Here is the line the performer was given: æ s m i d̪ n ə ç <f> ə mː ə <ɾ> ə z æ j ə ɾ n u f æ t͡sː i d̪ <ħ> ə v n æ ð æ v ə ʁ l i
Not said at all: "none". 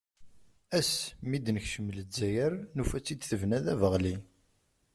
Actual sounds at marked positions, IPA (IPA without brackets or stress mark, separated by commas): ʃ, l, θ